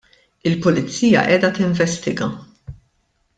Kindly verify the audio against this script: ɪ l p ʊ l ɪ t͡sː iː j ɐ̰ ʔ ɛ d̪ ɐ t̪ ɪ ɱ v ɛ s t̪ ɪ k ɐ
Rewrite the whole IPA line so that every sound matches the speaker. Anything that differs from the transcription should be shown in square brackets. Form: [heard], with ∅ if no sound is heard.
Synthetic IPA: ɪ l p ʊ l ɪ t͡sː iː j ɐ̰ ʔ [ɛː] d̪ ɐ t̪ ɪ ɱ v ɛ s t̪ ɪ [ɡ] ɐ